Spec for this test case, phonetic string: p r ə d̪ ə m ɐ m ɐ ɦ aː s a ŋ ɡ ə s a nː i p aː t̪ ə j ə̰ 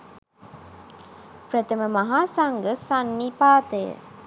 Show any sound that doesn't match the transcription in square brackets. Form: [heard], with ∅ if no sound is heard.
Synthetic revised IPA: p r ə [t̪] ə m [ə] m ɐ ɦ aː s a ŋ ɡ ə s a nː i p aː t̪ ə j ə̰